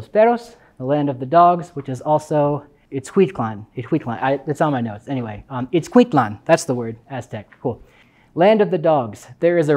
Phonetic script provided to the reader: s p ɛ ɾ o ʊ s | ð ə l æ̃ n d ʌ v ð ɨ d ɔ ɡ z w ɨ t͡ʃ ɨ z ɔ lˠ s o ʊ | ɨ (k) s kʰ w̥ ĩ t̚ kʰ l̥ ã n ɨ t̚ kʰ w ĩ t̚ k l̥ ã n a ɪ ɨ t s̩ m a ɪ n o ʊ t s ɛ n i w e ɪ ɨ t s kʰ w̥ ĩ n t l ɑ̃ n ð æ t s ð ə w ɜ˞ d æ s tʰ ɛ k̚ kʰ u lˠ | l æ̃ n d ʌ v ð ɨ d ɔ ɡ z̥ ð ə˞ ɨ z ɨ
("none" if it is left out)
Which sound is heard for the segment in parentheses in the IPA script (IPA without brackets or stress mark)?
t